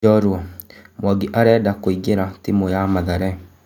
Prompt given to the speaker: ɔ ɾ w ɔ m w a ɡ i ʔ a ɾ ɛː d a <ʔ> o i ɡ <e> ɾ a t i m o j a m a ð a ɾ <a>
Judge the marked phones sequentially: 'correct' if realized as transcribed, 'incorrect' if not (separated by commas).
incorrect, correct, incorrect